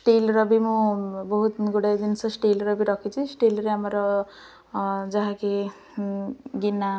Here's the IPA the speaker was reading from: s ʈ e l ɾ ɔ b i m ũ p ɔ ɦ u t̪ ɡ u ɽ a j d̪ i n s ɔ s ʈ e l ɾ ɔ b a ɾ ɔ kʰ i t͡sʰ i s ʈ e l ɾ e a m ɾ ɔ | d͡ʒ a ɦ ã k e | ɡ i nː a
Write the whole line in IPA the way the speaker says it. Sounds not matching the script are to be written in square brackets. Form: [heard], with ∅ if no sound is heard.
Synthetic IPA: s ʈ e l ɾ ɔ b i m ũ [b] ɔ ɦ u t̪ ɡ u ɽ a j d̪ i n s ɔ s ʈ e l ɾ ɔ b [i] ɾ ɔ kʰ i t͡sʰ i s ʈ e l ɾ e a m ɾ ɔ | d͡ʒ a ɦ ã k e | ɡ i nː a